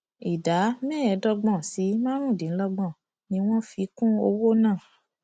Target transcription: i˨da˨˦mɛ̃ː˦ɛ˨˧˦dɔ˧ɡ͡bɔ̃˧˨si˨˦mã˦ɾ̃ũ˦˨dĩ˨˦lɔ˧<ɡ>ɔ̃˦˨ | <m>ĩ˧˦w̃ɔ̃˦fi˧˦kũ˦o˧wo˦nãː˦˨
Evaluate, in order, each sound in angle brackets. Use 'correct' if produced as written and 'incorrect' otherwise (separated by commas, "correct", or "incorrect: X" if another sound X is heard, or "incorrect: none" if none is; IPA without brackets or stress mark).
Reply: incorrect: ɡ͡b, incorrect: n